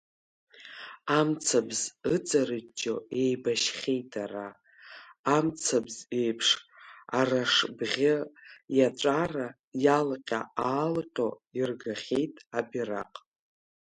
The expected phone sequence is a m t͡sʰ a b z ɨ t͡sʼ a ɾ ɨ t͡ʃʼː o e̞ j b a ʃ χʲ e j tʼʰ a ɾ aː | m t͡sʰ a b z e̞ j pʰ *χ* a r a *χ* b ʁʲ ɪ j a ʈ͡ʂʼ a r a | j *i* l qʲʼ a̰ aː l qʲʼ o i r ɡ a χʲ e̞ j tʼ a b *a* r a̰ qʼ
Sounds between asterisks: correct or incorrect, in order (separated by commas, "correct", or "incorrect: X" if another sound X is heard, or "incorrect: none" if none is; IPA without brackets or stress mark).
incorrect: ʂ, incorrect: ʂ, incorrect: a, incorrect: i